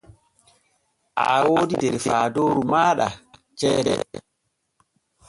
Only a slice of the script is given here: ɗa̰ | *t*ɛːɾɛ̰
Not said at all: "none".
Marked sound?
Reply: t͡ʃ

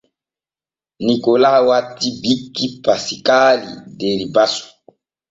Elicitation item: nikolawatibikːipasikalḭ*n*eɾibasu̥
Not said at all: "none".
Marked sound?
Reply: d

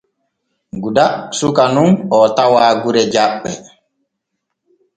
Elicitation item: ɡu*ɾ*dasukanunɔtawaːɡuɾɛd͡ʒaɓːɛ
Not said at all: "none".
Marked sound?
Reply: none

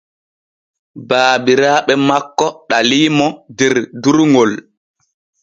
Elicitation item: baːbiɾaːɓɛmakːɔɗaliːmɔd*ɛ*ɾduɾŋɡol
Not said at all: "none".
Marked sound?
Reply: ɛ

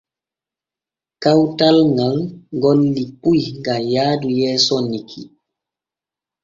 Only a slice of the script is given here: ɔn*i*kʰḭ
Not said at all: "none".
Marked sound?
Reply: i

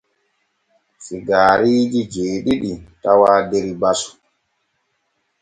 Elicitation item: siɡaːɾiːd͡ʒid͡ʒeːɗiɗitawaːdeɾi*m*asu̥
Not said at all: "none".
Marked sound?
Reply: b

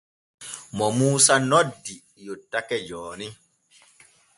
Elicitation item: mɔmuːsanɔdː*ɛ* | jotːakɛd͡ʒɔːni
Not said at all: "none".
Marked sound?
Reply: i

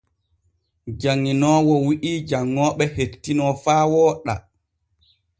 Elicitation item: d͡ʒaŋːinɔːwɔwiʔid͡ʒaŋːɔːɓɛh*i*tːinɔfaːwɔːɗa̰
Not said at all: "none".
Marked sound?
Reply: e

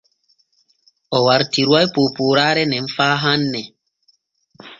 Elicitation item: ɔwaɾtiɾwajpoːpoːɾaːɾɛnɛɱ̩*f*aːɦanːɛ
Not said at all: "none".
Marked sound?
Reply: f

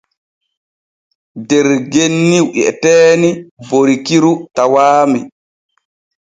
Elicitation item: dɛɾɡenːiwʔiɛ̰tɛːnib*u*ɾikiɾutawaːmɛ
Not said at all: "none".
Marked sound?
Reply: o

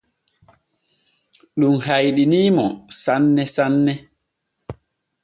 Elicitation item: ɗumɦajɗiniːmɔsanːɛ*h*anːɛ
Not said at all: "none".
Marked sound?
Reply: s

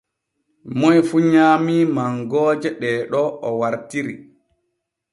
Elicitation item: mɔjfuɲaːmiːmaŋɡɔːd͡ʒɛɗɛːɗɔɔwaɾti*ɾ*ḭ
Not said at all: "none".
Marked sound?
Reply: ɾ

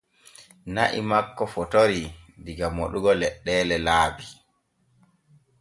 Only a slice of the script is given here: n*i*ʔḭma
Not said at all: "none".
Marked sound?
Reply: a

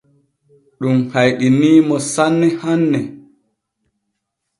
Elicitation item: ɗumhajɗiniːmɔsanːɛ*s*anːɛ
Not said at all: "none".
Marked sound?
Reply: h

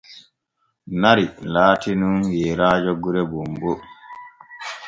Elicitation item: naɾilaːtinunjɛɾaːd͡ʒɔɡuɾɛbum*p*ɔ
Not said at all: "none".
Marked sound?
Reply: b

